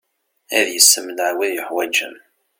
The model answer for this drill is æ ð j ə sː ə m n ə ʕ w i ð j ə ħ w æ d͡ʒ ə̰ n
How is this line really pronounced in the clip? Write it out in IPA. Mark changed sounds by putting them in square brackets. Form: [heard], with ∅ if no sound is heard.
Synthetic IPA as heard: æ ð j ə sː ə m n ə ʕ w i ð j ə ħ w æ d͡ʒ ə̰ [m]